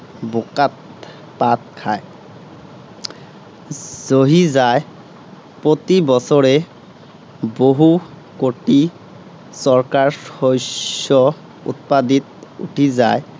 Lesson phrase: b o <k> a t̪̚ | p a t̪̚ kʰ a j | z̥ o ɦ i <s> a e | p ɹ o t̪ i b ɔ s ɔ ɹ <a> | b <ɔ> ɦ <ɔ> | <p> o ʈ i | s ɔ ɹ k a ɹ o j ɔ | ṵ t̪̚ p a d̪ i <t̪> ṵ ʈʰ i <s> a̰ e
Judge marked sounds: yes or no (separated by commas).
yes, no, no, no, no, no, yes, no